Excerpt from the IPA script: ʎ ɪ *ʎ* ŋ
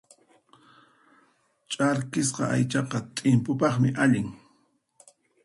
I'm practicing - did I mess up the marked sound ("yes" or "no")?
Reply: yes